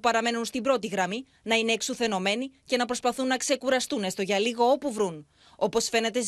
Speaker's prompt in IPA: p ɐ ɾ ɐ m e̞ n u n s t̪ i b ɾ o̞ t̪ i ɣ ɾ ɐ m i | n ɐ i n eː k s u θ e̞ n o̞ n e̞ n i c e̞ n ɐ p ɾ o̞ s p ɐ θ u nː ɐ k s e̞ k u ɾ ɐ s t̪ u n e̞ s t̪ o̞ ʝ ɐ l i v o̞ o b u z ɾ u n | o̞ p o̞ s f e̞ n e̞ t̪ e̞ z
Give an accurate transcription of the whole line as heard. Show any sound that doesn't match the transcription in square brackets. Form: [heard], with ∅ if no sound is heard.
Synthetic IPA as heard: p ɐ ɾ ɐ m e̞ n u n s t̪ i b ɾ o̞ t̪ i ɣ ɾ ɐ m i | n ɐ i n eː k s u θ e̞ n o̞ [m] e̞ n i c e̞ n ɐ p ɾ o̞ s p ɐ θ u nː ɐ k s e̞ k u ɾ ɐ s t̪ u n e̞ s t̪ o̞ ʝ ɐ l i [ɣ] o̞ o [p] u [v] ɾ u n | o̞ p o̞ s f e̞ n e̞ t̪ e̞ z